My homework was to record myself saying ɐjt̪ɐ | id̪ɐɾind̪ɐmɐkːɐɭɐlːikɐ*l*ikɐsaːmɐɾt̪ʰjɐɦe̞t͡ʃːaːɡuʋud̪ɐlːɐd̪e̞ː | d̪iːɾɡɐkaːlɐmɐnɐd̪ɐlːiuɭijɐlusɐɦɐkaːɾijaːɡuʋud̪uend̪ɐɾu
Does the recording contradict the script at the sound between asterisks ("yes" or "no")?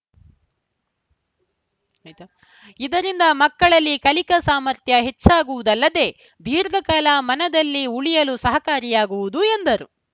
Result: no